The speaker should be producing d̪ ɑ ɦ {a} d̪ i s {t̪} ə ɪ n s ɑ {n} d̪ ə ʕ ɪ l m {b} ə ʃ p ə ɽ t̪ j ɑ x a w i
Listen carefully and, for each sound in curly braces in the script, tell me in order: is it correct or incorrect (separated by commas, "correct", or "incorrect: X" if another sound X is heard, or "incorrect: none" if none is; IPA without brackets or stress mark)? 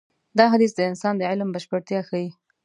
correct, incorrect: d̪, correct, correct